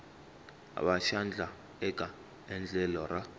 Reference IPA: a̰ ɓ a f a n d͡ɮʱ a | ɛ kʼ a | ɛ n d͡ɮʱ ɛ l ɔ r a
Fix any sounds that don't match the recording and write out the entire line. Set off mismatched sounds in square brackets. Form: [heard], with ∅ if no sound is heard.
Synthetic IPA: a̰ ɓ a [ʃ] a n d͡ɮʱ a | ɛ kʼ a | ɛ n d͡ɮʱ ɛ l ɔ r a